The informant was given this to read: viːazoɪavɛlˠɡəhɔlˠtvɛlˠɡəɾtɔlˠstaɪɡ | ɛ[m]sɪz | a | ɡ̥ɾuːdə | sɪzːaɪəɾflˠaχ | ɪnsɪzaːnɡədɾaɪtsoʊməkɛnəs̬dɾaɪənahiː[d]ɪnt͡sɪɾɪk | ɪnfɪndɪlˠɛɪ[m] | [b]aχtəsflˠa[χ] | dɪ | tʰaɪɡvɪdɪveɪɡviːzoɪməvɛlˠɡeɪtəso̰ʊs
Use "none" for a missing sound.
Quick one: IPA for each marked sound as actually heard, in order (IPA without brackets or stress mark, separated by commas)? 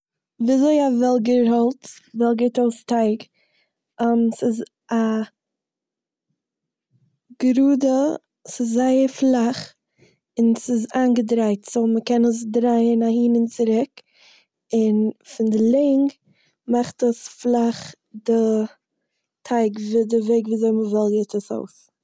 m, n, ŋ, m, χ